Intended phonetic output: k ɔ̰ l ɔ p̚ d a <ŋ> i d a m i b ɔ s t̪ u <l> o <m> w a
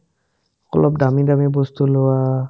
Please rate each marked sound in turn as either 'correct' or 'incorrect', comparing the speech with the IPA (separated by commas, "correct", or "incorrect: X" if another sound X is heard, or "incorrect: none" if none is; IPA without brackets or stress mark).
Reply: incorrect: m, correct, incorrect: none